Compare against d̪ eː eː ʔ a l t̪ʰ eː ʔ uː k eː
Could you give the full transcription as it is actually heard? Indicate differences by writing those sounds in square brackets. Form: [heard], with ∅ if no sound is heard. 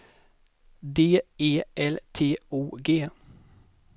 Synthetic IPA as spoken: d̪ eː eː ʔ [ɛ] l t̪ʰ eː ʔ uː [ɡ] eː

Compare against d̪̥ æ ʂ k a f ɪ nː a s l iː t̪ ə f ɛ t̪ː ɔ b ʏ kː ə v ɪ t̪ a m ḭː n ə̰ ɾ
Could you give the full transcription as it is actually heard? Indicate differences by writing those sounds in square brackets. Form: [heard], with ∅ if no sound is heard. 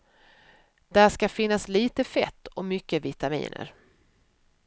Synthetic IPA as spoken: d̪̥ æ ʂ k a f ɪ nː a s l iː t̪ ə f ɛ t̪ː ɔ [m] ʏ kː ə v ɪ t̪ a m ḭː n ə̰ ɾ

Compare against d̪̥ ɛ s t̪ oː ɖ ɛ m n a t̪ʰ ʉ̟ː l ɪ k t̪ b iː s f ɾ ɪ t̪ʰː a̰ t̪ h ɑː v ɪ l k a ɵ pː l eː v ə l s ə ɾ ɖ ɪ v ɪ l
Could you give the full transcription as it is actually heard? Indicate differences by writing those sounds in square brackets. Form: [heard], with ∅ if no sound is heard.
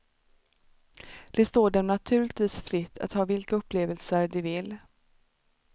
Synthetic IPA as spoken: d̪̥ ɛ s t̪ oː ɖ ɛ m n a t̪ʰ ʉ̟ː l ɪ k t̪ [v] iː s f ɾ ɪ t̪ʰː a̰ t̪ h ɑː v ɪ l k a ɵ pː l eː v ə l s ə ɾ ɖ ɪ v ɪ l

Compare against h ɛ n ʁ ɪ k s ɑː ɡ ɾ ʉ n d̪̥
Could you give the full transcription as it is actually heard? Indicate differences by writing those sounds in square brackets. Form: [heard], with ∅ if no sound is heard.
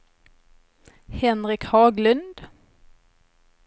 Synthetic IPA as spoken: h ɛ n ʁ ɪ k [h] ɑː ɡ [l] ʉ n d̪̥

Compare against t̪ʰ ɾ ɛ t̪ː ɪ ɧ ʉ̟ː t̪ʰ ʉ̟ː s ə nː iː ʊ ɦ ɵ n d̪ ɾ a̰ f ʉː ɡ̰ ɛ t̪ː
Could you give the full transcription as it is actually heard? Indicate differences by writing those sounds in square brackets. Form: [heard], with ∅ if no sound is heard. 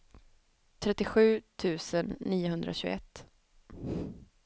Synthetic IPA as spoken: t̪ʰ ɾ ɛ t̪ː ɪ ɧ ʉ̟ː t̪ʰ ʉ̟ː s ə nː iː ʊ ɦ ɵ n d̪ ɾ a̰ [ɕ] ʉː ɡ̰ ɛ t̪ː

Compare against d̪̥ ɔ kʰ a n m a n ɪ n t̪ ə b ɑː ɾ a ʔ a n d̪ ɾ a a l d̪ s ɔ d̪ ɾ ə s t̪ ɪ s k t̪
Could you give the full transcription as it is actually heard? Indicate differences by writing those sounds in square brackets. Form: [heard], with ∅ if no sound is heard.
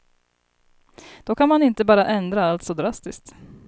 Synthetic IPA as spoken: d̪̥ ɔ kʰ a n m a n ɪ n t̪ ə b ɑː ɾ a ʔ [ɛ] n d̪ ɾ a a l [t̪] s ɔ d̪ ɾ [a] s t̪ ɪ s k t̪

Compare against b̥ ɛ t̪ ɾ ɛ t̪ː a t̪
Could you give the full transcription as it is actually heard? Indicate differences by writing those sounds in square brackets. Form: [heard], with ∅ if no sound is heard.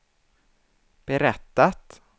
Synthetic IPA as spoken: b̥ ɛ [∅] ɾ ɛ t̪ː a t̪

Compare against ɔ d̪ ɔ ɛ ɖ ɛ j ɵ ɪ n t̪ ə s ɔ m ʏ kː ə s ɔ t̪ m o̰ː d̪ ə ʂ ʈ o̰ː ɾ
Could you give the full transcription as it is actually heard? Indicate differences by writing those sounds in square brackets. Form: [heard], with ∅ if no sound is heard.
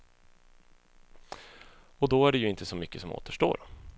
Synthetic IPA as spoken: ɔ d̪ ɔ [æ] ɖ ɛ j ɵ ɪ n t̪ ə s ɔ m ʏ kː ə s ɔ [∅] m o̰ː [t̪] ə ʂ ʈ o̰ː ɾ

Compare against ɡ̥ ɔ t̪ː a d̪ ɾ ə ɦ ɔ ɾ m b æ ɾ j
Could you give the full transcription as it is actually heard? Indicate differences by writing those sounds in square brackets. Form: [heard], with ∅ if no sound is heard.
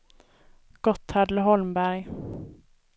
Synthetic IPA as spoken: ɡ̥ ɔ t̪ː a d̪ [l] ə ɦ ɔ [l] m b æ ɾ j

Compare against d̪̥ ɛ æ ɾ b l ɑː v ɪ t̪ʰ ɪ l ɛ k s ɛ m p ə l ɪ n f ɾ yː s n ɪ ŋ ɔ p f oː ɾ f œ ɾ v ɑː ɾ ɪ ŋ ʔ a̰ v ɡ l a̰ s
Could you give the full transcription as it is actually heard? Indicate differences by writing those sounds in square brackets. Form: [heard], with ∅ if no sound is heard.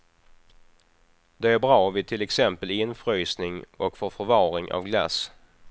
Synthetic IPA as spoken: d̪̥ ɛ æ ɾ b [ɾ] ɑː v ɪ t̪ʰ ɪ l ɛ k s ɛ m p ə l ɪ n f ɾ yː s n ɪ ŋ ɔ [k] f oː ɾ f œ ɾ v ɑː ɾ ɪ ŋ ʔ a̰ v ɡ l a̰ s

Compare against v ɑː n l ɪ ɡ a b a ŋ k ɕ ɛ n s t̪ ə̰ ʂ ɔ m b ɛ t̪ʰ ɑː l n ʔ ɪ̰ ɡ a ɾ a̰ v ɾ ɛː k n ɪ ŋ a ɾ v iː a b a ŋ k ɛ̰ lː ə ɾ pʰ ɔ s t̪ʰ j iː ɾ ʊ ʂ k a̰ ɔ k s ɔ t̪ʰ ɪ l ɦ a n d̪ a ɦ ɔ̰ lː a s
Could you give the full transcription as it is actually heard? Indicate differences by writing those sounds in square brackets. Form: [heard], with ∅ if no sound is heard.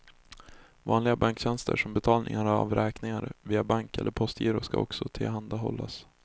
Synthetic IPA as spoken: v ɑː n l ɪ ɡ a b a ŋ k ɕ ɛ n s t̪ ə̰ ʂ ɔ m b ɛ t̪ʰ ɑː l n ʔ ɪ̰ [ŋ] a ɾ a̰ v ɾ ɛː k n ɪ ŋ a ɾ v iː a b a ŋ k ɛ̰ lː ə ɾ pʰ ɔ s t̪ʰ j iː ɾ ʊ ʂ k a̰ ɔ k s ɔ t̪ʰ ɪ l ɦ a n d̪ a ɦ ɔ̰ lː a s

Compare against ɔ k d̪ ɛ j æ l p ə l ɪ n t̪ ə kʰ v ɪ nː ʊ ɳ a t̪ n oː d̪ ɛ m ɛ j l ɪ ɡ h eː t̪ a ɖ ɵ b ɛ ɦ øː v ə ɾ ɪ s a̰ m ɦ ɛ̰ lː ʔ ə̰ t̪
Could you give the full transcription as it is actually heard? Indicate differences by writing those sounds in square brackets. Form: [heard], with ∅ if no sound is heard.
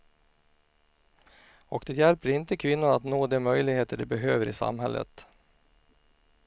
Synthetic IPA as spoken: ɔ k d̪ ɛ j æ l p ə [ɾ] ɪ n t̪ ə kʰ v ɪ nː ʊ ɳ a t̪ n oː d̪ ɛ m [œ] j l ɪ ɡ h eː t̪ [ə] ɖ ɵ b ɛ ɦ øː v ə ɾ ɪ s a̰ m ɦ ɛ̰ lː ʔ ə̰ t̪

